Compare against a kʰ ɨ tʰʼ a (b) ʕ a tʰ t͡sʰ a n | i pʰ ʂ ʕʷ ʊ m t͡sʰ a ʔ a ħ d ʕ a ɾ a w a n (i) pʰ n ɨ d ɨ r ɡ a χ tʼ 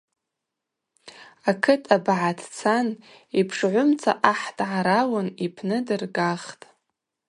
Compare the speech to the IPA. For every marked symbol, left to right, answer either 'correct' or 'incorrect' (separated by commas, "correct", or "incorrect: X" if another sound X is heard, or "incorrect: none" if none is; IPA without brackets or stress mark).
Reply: correct, correct